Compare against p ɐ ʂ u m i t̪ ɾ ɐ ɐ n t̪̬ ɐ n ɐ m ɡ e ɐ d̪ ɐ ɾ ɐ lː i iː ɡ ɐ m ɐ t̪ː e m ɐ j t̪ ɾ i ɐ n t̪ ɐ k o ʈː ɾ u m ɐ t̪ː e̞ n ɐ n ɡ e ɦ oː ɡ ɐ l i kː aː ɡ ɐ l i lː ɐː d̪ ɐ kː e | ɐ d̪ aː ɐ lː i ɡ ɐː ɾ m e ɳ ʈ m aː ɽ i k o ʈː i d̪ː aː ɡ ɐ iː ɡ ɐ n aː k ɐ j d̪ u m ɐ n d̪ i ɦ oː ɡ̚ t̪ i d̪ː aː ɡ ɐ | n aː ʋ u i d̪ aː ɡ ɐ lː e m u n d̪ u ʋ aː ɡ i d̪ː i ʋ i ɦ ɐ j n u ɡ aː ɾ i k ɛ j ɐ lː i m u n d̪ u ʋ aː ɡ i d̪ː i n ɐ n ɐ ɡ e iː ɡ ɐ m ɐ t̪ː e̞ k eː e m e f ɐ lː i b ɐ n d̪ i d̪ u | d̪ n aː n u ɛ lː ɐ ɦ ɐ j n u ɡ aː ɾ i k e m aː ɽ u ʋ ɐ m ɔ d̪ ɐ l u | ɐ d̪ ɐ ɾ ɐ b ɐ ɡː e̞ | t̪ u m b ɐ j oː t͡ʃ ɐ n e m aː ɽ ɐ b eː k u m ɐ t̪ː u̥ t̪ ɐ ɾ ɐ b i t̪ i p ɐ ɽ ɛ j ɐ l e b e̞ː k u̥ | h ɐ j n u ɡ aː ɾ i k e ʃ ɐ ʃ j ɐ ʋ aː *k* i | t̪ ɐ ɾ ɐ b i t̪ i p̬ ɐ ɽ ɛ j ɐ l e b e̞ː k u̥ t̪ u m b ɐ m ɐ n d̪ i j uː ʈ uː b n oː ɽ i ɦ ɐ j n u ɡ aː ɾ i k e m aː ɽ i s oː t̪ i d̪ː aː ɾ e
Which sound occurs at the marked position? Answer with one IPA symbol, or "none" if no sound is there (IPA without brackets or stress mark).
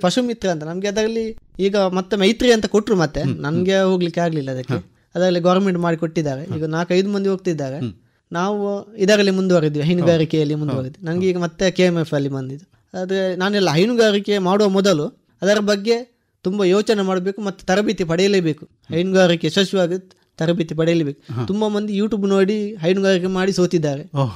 ɡ